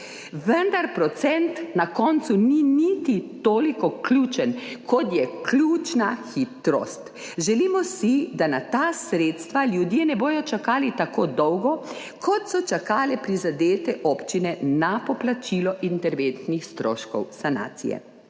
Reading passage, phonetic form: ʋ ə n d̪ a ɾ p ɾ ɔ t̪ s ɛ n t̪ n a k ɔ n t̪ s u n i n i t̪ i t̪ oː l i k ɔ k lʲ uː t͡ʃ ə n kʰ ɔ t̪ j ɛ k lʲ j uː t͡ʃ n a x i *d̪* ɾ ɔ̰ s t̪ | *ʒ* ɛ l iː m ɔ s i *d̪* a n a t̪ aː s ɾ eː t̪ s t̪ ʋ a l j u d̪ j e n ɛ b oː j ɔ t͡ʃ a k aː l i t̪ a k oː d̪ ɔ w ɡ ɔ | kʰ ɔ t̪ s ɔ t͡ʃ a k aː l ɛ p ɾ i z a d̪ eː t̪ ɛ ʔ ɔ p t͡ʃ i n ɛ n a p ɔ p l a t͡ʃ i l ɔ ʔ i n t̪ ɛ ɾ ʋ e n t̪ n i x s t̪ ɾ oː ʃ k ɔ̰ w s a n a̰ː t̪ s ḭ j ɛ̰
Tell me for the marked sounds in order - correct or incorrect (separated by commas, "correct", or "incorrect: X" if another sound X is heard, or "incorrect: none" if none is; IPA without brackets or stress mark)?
incorrect: t̪, correct, correct